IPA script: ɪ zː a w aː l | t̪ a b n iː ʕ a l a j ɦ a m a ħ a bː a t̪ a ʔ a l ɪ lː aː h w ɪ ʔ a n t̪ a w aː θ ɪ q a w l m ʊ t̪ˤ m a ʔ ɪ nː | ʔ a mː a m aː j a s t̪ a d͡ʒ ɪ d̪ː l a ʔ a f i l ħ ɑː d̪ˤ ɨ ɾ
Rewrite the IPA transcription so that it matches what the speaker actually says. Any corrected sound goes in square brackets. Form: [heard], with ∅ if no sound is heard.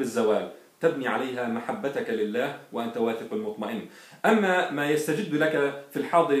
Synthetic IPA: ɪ zː a w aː l | t̪ a b n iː ʕ a l a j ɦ a m a ħ a bː a t̪ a [k] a l ɪ lː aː h w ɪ ʔ a n t̪ a w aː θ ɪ q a [∅] l m ʊ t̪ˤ m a ʔ ɪ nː | ʔ a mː a m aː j a s t̪ a d͡ʒ ɪ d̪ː l a [k] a f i l ħ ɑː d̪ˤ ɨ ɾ